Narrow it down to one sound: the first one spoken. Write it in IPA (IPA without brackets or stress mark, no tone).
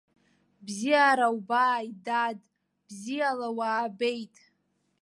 b